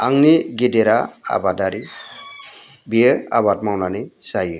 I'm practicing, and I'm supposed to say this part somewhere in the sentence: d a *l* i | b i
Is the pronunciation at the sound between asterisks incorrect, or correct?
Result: incorrect